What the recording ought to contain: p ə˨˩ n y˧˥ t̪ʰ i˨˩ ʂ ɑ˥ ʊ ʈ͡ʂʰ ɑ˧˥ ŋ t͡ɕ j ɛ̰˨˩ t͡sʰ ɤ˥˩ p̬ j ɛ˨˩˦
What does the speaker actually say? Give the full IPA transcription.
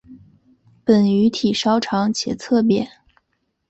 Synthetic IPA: p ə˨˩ n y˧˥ t̪ʰ i˨˩ ʂ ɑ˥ ʊ ʈ͡ʂʰ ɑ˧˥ ŋ t͡ɕʰ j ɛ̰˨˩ t͡sʰ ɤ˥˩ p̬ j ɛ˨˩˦